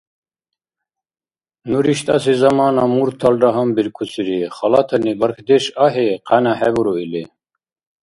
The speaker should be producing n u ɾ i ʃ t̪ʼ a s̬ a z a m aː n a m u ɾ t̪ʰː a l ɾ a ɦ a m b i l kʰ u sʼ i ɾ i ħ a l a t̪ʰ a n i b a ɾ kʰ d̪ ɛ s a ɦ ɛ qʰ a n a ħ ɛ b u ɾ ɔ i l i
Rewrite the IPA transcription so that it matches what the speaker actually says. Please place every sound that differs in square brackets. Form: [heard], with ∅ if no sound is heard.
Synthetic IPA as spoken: n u ɾ i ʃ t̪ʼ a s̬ [i] z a m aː n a m u ɾ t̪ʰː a l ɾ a ɦ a m b i [ɾ] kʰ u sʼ i ɾ i [χ] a l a t̪ʰ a n i b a ɾ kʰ d̪ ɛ [ʃ] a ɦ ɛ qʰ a n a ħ ɛ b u ɾ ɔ i l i